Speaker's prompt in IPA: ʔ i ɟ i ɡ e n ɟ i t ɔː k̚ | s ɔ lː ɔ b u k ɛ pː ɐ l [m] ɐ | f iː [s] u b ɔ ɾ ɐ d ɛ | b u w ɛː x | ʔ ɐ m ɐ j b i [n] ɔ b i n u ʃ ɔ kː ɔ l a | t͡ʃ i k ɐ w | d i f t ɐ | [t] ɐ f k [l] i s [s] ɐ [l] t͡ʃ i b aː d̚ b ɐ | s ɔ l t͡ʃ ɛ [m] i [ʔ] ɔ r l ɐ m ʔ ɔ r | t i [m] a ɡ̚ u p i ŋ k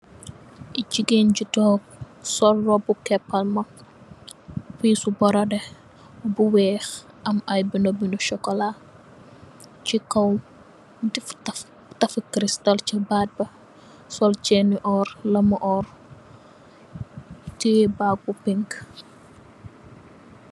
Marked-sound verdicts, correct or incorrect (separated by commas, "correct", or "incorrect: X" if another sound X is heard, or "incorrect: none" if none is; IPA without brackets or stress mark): correct, correct, correct, correct, incorrect: ɾ, incorrect: t, correct, incorrect: n, correct, incorrect: b